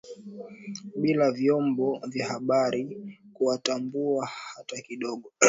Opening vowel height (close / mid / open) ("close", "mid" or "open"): close